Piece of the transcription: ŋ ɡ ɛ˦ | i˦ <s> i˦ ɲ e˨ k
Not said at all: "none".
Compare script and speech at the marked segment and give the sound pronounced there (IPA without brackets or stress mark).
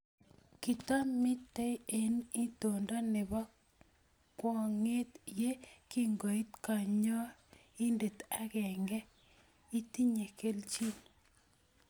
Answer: t